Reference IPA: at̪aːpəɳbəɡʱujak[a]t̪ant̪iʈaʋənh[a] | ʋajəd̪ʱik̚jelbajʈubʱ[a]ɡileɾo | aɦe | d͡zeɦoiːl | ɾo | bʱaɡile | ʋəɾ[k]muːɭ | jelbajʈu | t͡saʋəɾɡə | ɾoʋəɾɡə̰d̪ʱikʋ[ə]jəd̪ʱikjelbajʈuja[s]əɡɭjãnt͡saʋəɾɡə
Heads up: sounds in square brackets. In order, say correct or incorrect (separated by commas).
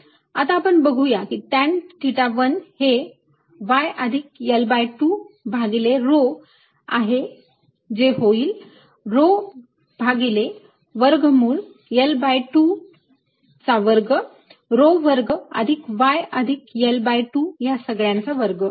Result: incorrect, incorrect, correct, incorrect, incorrect, correct